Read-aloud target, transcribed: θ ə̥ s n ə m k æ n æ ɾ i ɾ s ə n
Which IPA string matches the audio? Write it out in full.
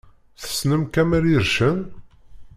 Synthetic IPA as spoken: θ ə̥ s n ə m k æ m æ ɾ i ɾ ʃ ə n